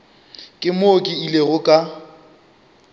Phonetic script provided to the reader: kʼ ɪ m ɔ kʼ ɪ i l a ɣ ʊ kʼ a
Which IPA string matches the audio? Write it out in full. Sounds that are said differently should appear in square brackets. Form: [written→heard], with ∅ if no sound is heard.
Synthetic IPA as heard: kʼ ɪ m [ɔ→o] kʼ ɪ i l [a→e] ɣ ʊ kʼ a